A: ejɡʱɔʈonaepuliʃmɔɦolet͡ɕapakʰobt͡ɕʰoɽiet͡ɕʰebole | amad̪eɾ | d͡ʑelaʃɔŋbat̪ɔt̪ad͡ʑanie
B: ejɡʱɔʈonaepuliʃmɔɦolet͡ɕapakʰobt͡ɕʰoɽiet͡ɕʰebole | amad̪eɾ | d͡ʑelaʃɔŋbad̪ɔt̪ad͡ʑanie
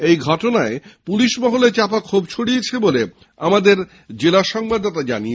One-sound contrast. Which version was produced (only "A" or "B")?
B